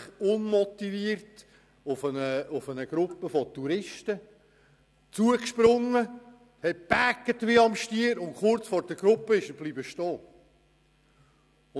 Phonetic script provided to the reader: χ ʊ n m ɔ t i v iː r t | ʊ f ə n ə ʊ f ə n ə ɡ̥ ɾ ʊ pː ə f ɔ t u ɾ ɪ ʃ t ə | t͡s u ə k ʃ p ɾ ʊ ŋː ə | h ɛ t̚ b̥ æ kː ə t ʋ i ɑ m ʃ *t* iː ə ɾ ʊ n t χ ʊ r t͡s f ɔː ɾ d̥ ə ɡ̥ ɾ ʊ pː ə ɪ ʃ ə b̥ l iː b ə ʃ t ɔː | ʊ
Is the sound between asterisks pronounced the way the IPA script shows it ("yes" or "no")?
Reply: yes